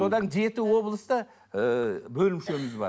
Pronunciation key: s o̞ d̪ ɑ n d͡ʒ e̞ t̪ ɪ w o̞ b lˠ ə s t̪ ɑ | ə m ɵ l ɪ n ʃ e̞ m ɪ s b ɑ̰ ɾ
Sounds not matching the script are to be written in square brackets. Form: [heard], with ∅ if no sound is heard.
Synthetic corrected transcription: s o̞ d̪ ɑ n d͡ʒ e̞ t̪ ɪ w o̞ b lˠ ə s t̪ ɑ | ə [b] ɵ l ɪ [m] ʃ e̞ m ɪ [z] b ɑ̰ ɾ